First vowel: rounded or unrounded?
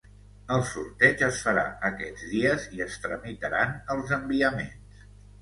unrounded